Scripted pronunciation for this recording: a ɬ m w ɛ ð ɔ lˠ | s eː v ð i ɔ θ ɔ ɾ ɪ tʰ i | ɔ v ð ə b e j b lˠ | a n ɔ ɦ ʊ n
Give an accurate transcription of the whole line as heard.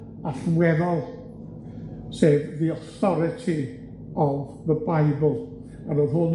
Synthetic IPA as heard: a ɬ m w ɛ ð ɔ lˠ | s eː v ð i ɔ θ ɔ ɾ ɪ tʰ i | ɔ v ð ə b a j b lˠ | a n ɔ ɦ ʊ n